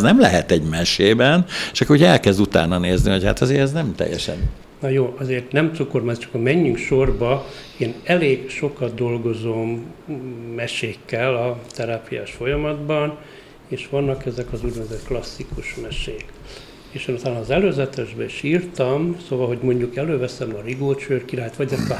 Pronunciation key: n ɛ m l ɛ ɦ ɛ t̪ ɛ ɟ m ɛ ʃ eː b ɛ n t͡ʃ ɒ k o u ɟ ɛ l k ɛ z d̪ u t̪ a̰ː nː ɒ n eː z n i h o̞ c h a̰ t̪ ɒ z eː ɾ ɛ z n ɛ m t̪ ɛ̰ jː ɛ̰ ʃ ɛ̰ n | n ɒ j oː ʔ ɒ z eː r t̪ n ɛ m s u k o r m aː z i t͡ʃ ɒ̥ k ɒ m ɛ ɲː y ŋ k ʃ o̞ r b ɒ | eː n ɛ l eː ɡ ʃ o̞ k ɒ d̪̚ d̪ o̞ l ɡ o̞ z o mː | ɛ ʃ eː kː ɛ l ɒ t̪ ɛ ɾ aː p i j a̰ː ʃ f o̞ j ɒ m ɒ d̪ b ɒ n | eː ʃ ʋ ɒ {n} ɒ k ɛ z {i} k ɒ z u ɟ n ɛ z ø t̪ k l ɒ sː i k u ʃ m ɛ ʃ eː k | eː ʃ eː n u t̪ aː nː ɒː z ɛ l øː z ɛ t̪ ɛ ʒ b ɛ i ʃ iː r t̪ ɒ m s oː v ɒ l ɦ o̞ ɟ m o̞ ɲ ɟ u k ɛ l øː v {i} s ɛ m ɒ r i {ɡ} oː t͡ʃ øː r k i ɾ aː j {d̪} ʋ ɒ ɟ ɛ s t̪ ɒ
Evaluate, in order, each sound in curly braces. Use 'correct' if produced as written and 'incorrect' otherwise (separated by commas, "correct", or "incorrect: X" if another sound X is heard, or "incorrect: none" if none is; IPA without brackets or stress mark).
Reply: incorrect: nː, incorrect: ɛ, incorrect: ɛ, correct, incorrect: t̪